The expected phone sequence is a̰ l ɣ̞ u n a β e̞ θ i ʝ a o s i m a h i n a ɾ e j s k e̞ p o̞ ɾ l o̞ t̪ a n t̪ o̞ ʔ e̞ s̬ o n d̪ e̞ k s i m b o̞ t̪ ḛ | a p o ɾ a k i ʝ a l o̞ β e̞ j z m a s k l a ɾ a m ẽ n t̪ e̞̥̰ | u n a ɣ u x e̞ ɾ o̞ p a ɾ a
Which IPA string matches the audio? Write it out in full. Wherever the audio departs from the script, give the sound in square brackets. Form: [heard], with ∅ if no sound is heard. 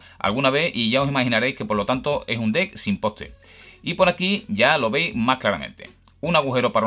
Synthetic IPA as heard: a̰ l ɣ̞ u n a β e̞ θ i ʝ a o s i m a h i n a ɾ e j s k e̞ p o̞ ɾ l o̞ t̪ a n t̪ o̞ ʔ e̞ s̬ [u] n d̪ e̞ k s i m [p] o̞ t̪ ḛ | [i] p o ɾ a k i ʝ a l o̞ β e̞ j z m a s k l a ɾ a m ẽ n t̪ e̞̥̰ | u n a ɣ u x e̞ ɾ o̞ p a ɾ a